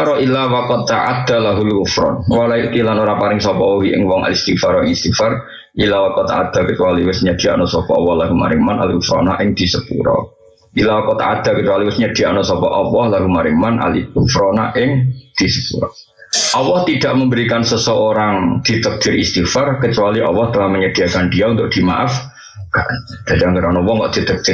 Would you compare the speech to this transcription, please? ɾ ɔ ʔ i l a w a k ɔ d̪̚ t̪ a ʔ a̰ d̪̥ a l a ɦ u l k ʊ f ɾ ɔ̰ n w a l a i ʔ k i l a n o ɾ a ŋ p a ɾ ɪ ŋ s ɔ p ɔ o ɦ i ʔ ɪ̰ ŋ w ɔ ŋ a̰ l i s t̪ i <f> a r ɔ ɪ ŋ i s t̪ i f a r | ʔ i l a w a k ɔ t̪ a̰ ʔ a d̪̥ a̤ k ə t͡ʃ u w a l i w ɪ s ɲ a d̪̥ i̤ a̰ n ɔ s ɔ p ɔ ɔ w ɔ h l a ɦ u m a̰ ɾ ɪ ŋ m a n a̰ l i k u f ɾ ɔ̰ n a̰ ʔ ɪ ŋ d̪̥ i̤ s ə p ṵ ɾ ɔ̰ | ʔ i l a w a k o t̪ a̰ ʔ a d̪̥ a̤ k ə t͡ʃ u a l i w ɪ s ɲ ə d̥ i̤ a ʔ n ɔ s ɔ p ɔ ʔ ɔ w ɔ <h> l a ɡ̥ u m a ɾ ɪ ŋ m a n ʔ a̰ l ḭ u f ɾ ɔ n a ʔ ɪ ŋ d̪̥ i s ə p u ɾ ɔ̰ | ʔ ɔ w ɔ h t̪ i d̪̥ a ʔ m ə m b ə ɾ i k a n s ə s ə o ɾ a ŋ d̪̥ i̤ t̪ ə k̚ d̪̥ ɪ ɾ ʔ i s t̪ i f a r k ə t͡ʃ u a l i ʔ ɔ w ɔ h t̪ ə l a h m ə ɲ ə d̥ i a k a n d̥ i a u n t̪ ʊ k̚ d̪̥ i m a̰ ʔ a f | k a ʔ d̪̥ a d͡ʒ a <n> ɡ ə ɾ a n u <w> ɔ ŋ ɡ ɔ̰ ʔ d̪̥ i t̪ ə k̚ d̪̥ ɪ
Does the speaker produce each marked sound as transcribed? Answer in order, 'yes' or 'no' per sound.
yes, yes, no, yes

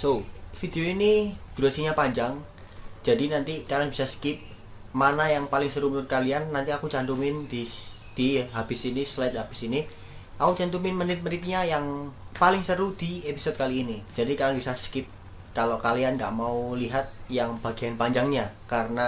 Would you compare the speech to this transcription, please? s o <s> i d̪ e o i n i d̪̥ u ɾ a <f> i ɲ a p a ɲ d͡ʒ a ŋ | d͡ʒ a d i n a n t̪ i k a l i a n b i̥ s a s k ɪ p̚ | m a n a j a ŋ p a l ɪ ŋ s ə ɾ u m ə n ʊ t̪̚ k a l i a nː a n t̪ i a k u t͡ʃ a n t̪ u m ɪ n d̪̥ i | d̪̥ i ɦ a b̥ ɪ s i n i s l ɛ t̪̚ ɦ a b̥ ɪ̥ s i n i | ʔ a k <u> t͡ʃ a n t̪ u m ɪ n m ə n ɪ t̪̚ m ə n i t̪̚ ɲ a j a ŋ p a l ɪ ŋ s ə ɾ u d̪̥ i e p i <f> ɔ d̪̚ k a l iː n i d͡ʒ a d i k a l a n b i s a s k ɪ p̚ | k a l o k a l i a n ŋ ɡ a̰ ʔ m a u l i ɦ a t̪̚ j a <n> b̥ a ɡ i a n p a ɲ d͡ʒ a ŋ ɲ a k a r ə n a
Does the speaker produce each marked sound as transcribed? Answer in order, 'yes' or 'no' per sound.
no, no, yes, no, no

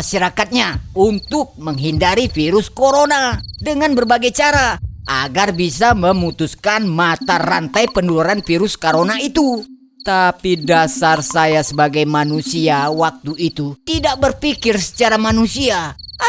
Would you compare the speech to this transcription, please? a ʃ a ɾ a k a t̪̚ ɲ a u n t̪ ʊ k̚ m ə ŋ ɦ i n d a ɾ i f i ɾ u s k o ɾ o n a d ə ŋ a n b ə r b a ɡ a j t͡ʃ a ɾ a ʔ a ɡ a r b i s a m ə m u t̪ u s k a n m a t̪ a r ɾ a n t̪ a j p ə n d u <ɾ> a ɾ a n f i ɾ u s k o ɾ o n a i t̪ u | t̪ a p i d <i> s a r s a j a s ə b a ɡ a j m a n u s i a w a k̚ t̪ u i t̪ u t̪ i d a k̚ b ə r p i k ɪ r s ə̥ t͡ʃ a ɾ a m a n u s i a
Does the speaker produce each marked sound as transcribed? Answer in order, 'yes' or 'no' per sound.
no, no

